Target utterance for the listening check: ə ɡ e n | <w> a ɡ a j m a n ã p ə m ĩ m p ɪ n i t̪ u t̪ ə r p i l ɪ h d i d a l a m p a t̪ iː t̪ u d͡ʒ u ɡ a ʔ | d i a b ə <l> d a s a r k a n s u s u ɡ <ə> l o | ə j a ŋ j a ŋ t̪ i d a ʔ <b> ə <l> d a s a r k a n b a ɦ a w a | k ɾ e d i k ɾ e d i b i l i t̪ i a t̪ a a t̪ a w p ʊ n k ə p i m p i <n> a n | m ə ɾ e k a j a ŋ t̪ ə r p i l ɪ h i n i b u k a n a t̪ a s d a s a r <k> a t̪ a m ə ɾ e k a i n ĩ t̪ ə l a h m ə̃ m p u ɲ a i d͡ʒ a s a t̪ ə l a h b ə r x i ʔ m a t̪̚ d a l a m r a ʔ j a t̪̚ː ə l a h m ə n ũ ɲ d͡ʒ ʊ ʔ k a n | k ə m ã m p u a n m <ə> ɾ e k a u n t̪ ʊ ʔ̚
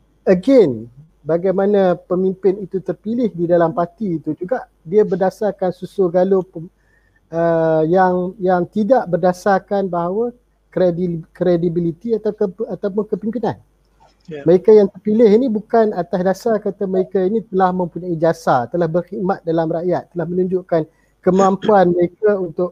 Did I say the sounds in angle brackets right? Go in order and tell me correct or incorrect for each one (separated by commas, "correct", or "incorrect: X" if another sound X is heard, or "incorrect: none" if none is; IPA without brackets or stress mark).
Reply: incorrect: b, incorrect: r, incorrect: a, correct, incorrect: r, correct, correct, correct